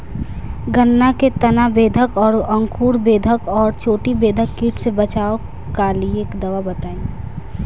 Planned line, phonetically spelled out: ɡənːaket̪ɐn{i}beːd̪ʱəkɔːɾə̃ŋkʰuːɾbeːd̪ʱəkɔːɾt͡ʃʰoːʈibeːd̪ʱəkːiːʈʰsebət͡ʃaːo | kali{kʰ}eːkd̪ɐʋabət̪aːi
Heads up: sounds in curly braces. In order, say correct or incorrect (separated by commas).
incorrect, incorrect